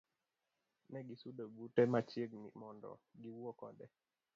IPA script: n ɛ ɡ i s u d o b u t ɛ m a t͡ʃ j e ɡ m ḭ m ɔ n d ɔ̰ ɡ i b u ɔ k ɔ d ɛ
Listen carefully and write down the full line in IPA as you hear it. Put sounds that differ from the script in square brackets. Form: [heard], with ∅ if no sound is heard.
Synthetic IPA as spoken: n ɛ ɡ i s u d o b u t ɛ m a t͡ʃ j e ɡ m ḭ m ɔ n d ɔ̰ ɡ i [w] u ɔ k ɔ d ɛ